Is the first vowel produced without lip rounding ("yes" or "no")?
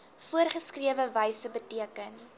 no